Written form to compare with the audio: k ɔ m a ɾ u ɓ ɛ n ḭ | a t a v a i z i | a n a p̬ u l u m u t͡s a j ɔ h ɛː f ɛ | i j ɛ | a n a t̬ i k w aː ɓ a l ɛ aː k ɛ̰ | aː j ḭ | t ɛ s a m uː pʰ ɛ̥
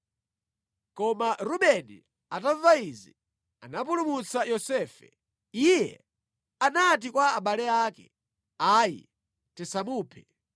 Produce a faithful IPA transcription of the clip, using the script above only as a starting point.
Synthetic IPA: k ɔ m a ɾ u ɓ ɛ n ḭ | a t a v a i z i | a n a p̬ u l u m u t͡s a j ɔ s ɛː f ɛ | i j ɛ | a n a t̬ i k w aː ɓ a l ɛ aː k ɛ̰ | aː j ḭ | t ɛ s a m uː pʰ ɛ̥